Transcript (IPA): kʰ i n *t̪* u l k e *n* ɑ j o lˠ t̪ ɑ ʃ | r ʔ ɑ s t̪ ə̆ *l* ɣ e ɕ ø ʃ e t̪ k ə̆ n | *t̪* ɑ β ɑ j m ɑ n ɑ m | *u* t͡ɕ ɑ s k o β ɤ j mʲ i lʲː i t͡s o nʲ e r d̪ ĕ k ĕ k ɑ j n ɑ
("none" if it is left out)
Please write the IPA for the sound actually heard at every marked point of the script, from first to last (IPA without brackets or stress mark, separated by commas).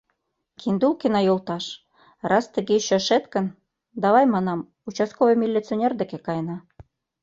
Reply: d̪, n, none, d̪, u